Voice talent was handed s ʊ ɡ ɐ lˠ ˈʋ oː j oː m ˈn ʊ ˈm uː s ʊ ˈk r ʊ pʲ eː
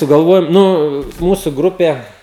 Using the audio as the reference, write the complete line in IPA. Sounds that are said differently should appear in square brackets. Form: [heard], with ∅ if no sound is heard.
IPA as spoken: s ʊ ɡ ɐ lˠ ˈʋ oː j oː m ˈn ʊ ˈm uː s ʊ [ˈɡ] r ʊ pʲ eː